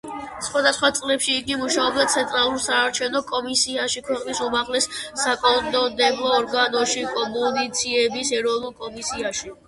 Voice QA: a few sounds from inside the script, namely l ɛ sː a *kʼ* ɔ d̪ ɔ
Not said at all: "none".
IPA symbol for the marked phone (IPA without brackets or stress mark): kʼ